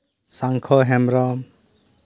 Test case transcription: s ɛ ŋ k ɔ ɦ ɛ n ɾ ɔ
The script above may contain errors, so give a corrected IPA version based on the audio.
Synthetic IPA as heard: s a ŋ kʰ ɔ ɦ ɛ m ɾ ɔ